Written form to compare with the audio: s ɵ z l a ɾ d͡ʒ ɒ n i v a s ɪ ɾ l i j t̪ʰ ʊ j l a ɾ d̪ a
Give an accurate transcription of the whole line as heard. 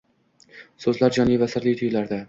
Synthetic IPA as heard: s ɵ z l a ɾ d͡ʒ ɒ n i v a s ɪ ɾ l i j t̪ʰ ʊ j l a ɾ d̪ a